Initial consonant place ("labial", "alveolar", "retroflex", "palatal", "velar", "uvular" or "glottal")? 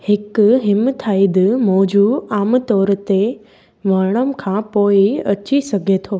glottal